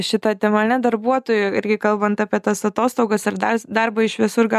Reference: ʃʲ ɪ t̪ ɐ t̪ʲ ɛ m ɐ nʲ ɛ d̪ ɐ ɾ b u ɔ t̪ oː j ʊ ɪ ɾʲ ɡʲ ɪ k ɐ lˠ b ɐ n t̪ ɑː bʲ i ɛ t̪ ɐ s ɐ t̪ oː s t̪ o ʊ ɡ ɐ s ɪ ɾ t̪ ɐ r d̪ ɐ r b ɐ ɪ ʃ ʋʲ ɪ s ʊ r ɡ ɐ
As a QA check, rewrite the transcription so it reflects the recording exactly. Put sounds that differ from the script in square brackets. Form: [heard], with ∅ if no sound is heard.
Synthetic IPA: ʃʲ ɪ t̪ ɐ t̪ʲ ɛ m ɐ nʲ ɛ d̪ ɐ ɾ b u ɔ t̪ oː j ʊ ɪ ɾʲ ɡʲ ɪ k ɐ lˠ b ɐ n t̪ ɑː [pʲ] i ɛ t̪ ɐ s ɐ t̪ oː s t̪ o ʊ ɡ ɐ s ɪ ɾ [d̪] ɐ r d̪ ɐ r b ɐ ɪ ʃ ʋʲ ɪ s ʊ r ɡ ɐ

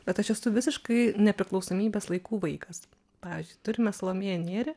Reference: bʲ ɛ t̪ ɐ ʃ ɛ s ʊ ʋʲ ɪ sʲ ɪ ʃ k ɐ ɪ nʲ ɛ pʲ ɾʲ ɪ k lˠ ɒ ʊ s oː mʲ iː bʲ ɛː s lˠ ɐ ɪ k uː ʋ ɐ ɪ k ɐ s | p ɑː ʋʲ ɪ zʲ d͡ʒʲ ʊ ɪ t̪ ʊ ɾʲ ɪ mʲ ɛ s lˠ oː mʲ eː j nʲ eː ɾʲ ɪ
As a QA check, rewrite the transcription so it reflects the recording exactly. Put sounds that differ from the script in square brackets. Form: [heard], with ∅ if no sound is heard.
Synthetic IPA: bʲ ɛ t̪ ɐ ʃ ɛ s ʊ ʋʲ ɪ sʲ ɪ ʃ k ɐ ɪ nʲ ɛ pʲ ɾʲ ɪ k lˠ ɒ ʊ s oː mʲ iː bʲ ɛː s lˠ ɐ ɪ k uː ʋ ɐ ɪ k ɐ s | p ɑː ʋʲ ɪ zʲ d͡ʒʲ ʊ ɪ t̪ ʊ ɾʲ ɪ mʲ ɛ s lˠ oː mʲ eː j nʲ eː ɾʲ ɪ

